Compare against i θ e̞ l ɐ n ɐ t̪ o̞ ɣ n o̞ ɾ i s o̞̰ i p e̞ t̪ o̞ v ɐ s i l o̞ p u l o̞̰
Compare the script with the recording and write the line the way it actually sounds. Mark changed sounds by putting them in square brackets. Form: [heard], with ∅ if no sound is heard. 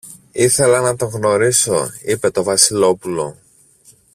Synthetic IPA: i θ e̞ l ɐ n ɐ t̪ o̞ ɣ n o̞ ɾ i s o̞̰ i p e̞ t̪ o̞ v ɐ s i l o̞ p u l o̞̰